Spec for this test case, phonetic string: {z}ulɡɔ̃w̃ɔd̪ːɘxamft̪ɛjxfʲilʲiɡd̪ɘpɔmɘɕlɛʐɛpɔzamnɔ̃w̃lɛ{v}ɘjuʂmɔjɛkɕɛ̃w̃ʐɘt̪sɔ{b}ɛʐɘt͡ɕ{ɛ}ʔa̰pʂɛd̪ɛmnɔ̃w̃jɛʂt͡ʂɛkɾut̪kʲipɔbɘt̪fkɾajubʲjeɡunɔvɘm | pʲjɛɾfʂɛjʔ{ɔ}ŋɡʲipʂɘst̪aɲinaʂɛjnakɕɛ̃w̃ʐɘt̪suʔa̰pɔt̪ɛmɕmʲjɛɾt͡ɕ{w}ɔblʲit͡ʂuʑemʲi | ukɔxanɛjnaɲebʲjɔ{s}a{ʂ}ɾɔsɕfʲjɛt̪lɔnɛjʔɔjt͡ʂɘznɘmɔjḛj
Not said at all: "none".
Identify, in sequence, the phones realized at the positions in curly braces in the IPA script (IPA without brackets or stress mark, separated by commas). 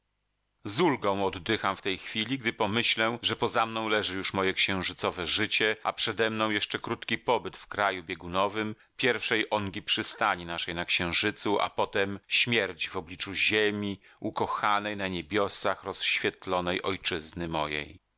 z, ʐ, v, ɛ, ɔ, v, s, x